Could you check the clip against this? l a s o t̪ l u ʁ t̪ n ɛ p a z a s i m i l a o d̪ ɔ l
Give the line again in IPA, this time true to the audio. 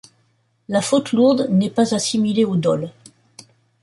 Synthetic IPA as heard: l a f o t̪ l u ʁ d̪ n ɛ p a z a s i m i l e o d̪ ɔ l